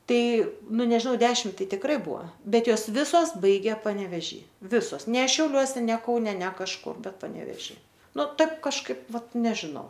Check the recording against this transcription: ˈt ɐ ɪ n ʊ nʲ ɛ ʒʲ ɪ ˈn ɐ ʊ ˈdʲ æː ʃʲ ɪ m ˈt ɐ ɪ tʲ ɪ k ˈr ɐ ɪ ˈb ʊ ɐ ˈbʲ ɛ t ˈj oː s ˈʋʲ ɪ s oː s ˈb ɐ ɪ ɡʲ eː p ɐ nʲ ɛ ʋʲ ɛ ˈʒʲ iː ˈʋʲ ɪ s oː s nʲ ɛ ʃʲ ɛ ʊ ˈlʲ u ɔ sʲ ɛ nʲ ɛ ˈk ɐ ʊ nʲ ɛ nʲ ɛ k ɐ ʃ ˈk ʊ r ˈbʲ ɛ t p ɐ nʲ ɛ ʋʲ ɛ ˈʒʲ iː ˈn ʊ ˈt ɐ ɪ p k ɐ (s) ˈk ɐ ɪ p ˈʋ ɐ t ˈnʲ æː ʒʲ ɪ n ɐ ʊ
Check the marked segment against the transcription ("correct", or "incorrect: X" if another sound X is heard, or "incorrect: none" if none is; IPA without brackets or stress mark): incorrect: ʃ